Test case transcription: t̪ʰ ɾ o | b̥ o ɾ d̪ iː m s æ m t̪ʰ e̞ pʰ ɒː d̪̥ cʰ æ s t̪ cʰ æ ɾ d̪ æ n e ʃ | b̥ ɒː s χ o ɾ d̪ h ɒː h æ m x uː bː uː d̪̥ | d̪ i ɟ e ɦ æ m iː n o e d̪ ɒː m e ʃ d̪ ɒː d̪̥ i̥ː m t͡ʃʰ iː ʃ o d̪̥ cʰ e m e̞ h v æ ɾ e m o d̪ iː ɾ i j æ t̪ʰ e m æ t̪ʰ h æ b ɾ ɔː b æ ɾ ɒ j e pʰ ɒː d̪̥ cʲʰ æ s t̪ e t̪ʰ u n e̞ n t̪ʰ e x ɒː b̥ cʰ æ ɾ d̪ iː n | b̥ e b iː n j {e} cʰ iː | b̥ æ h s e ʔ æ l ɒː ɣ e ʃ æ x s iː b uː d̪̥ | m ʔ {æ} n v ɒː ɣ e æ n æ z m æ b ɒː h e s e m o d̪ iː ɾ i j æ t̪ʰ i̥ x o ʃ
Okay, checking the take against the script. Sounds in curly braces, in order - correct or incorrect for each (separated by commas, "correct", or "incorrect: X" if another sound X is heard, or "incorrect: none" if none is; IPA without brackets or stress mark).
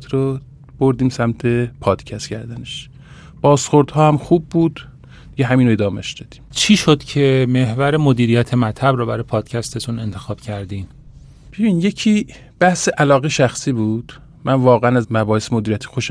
correct, correct